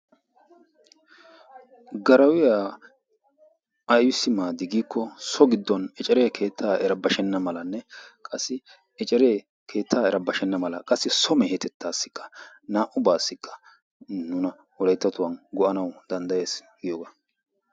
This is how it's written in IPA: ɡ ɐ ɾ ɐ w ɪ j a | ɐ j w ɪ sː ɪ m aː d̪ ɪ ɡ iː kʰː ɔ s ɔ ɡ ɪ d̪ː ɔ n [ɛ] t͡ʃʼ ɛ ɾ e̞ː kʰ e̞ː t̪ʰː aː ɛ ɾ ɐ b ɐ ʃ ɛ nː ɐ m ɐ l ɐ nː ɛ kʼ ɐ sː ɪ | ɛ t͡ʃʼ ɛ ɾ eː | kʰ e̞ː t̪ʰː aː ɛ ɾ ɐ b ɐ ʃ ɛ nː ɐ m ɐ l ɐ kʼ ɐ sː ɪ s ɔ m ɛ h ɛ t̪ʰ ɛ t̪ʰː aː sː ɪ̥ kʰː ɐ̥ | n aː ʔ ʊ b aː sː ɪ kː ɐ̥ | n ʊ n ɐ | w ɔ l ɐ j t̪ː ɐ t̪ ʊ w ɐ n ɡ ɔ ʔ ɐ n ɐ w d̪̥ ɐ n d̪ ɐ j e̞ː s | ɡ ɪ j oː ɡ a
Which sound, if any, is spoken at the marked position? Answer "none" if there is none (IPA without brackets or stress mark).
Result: ɛ